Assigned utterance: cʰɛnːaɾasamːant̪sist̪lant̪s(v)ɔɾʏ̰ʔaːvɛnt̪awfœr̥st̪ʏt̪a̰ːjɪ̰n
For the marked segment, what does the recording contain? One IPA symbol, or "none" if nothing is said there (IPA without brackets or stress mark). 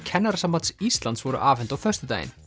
v